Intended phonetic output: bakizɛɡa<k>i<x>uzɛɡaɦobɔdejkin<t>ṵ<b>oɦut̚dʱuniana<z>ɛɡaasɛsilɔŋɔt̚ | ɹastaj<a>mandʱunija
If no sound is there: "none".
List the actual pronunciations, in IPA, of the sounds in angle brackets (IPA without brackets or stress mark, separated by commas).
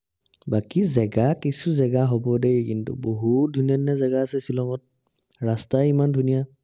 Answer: k, s, t, b, z, i